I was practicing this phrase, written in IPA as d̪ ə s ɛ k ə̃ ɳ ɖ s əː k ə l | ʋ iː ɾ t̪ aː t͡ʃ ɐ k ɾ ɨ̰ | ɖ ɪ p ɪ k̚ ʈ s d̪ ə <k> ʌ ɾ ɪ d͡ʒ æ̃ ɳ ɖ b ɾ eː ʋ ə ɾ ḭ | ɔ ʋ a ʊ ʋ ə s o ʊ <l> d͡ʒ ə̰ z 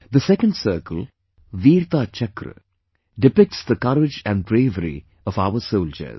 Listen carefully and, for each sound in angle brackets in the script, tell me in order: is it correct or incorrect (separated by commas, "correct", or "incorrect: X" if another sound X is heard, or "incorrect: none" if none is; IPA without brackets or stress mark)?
correct, correct